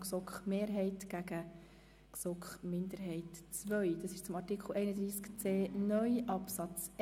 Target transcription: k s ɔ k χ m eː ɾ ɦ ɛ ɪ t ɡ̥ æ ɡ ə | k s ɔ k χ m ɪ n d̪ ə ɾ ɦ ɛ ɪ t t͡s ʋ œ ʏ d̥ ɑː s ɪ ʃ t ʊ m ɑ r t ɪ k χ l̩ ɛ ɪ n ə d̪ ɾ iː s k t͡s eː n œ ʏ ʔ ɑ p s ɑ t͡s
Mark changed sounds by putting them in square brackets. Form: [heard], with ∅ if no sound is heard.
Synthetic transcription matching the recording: k s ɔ k χ m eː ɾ ɦ ɛ ɪ t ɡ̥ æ ɡ ə | k s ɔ k χ m ɪ n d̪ ə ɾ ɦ ɛ ɪ t t͡s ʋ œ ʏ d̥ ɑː s ɪ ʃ [t͡s] ʊ m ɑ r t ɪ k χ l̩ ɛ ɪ n ə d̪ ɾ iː s k t͡s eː n œ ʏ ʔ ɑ p s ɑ t͡s